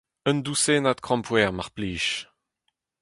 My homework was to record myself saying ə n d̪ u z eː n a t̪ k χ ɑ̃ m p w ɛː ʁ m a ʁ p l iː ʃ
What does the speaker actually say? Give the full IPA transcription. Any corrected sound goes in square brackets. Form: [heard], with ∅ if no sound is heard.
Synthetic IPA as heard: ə n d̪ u [s] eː n a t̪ k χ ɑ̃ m p w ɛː ʁ m a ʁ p l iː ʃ